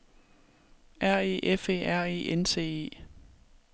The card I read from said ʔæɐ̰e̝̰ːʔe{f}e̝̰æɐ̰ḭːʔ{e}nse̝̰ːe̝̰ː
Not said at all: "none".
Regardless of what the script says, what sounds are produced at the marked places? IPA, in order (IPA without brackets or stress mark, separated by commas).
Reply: f, e